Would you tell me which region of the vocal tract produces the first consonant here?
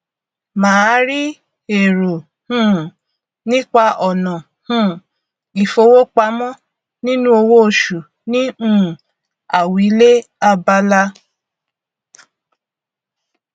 lips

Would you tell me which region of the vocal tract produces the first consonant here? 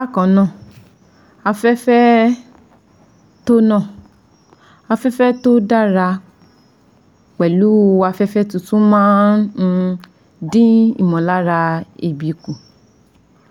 velum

